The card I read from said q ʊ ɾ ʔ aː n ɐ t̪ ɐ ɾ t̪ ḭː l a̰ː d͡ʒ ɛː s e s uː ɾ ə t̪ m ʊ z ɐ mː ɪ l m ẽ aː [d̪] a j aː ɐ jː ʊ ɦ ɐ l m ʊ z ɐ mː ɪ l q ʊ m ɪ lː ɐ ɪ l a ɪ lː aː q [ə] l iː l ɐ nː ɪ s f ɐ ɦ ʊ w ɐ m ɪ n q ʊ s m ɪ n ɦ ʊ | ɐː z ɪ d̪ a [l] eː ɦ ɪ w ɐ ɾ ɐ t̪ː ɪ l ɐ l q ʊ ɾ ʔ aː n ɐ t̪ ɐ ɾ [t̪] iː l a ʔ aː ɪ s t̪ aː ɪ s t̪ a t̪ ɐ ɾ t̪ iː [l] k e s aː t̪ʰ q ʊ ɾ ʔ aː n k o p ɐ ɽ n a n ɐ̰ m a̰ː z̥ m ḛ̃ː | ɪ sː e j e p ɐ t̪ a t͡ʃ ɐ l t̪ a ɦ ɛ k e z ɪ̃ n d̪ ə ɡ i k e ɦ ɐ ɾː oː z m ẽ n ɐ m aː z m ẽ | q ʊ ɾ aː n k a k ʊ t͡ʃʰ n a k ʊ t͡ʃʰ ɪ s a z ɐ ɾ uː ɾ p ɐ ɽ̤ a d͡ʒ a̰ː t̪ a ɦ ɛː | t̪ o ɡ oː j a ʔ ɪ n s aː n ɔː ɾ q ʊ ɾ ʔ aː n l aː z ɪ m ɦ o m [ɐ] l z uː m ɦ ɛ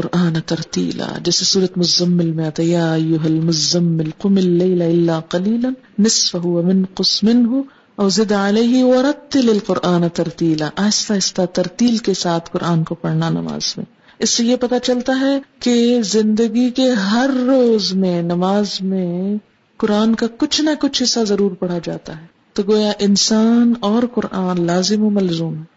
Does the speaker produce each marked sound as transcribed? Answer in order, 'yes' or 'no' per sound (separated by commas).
no, no, yes, yes, yes, yes